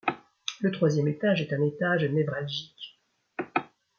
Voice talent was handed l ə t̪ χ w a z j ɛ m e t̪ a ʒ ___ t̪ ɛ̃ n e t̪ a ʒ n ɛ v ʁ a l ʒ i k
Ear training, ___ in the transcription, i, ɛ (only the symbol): ɛ